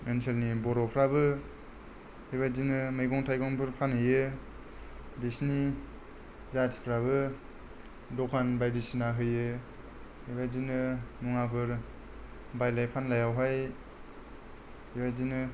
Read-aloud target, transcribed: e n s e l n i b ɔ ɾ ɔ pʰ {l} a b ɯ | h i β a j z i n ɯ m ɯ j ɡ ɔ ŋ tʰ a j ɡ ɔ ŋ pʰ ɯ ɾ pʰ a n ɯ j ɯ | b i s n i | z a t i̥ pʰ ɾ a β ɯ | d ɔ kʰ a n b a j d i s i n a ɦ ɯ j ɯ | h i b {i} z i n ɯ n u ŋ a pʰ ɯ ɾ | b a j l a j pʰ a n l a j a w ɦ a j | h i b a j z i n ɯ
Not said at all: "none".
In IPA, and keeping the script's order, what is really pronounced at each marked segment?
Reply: ɾ, a

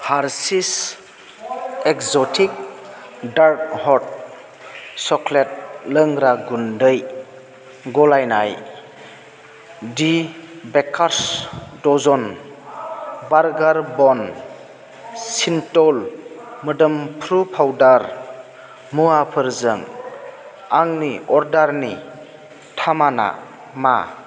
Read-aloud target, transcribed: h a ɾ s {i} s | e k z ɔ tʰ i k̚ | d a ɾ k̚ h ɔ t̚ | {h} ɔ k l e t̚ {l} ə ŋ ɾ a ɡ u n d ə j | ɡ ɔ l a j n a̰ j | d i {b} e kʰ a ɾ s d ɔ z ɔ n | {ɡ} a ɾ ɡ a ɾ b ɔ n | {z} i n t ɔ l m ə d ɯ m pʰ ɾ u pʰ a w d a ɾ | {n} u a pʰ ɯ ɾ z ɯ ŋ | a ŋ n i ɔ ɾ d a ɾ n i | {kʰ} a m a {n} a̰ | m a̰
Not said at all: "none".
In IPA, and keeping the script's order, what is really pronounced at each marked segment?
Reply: i, s, l, b, b, s, m, tʰ, n

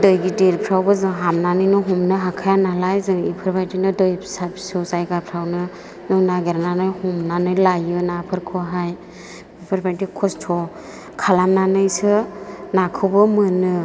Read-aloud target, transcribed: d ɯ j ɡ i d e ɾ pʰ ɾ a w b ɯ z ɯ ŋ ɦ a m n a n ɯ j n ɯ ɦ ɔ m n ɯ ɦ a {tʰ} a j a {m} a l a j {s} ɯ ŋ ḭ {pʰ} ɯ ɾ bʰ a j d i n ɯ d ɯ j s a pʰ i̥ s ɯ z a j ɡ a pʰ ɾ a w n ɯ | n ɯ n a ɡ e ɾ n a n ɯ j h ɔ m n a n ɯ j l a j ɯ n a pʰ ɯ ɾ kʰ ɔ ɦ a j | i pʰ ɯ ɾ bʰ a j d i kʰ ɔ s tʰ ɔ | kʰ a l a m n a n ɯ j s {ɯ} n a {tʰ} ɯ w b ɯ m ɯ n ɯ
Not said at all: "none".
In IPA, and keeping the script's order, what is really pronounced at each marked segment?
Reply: kʰ, n, z, pʰ, ɯ, kʰ

